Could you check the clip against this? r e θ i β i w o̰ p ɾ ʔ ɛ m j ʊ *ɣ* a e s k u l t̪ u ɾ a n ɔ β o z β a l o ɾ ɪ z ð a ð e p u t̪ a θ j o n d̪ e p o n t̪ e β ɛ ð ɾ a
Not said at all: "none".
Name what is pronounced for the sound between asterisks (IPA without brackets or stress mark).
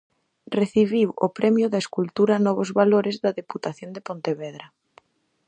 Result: ð